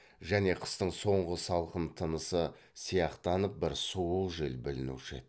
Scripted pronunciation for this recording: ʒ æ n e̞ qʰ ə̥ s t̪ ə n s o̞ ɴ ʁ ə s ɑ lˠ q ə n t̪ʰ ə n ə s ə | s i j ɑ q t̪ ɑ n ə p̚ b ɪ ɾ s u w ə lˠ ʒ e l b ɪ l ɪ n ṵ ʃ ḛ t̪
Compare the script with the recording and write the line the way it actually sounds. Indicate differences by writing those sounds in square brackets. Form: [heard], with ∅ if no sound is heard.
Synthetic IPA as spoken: ʒ æ n e̞ qʰ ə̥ s t̪ ə [ɴ] s o̞ ɴ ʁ ə s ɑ lˠ q ə n t̪ʰ ə n ə s ə | s i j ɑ q t̪ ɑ n ə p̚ b ɪ ɾ s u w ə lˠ ʒ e l b ɪ l ɪ n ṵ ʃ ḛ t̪